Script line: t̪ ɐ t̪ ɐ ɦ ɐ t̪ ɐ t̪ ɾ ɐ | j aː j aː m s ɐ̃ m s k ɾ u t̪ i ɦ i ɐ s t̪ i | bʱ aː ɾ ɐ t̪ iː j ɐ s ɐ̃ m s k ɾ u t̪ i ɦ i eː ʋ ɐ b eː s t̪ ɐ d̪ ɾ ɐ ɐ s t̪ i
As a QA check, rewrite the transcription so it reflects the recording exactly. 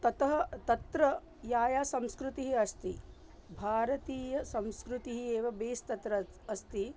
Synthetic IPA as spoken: t̪ ɐ t̪ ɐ ɦ ɐ t̪ ɐ t̪ ɾ ɐ | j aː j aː s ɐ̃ m s k ɾ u t̪ i ɦ i ɐ s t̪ i | bʱ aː ɾ ɐ t̪ iː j ɐ s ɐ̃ m s k ɾ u t̪ i ɦ i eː ʋ ɐ b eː s t̪ ɐ t̪ ɾ ɐ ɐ s t̪ i